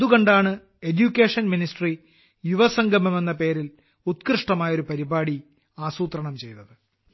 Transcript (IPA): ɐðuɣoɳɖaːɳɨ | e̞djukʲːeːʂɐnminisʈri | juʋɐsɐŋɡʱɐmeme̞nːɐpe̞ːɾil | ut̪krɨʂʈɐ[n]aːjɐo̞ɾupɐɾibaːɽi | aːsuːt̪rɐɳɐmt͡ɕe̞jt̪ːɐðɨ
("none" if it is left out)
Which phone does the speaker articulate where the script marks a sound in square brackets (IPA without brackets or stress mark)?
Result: m